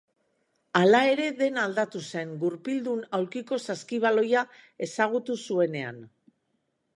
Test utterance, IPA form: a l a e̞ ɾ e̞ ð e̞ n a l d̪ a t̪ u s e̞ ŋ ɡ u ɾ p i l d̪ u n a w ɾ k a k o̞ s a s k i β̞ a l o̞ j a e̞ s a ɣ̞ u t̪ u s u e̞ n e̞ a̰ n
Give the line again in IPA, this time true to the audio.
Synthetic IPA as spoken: a l a e̞ ɾ e̞ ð e̞ n a l d̪ a t̪ u s e̞ ŋ ɡ u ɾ p i l d̪ u n a w ɾ k i k o̞ s a s k i β̞ a l o̞ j a e̞ s a ɣ̞ u t̪ u s u e̞ n e̞ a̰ n